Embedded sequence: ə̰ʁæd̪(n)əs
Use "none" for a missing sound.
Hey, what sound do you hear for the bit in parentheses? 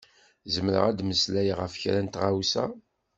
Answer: m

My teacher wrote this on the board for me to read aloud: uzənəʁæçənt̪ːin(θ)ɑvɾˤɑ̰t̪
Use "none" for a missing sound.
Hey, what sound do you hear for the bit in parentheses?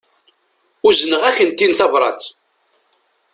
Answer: θ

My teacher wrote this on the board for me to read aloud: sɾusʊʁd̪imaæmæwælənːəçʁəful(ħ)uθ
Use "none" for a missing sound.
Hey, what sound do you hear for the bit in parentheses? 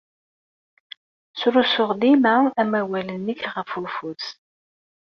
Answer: f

